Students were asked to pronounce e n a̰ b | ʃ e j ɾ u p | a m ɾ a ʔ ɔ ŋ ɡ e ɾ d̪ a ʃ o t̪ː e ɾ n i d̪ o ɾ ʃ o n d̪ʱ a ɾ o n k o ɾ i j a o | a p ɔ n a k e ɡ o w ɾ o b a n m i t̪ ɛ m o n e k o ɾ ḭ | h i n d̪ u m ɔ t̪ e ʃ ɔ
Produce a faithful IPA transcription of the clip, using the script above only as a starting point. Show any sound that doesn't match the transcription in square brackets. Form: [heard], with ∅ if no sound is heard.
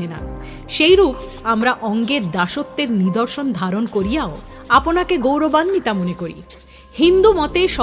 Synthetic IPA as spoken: e n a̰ [∅] | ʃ e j ɾ u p | a m ɾ a ʔ ɔ ŋ ɡ e ɾ d̪ a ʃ o t̪ː e ɾ n i d̪ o ɾ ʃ o n d̪ʱ a ɾ o n k o ɾ i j a o | a p [o] n a k e ɡ o w ɾ o b a n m i t̪ [a] m o n e k o ɾ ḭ | h i n d̪ u m ɔ t̪ e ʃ ɔ